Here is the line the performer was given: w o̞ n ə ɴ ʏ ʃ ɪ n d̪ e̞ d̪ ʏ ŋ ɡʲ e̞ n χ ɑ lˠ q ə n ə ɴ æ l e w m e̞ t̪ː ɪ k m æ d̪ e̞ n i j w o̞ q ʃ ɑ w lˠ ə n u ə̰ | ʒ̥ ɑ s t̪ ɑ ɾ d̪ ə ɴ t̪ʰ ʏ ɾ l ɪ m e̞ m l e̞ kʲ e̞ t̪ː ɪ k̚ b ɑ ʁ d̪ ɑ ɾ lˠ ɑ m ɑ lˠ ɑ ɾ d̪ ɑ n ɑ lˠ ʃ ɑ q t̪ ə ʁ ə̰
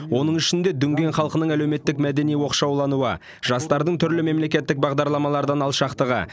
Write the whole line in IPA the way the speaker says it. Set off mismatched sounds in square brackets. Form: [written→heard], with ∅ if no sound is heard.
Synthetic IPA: w o̞ n ə ɴ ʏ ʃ ɪ n d̪ e̞ d̪ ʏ ŋ ɡʲ e̞ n χ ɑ lˠ q ə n ə ɴ æ l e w m e̞ t̪ː ɪ k m æ d̪ e̞ n i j w o̞ q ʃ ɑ w lˠ [ə→ɑ] n u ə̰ | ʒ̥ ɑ s t̪ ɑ ɾ d̪ ə ɴ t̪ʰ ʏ ɾ l ɪ m e̞ m l e̞ kʲ e̞ t̪ː ɪ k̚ b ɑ ʁ d̪ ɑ ɾ lˠ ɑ m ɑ lˠ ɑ ɾ d̪ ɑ n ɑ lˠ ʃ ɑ q t̪ ə ʁ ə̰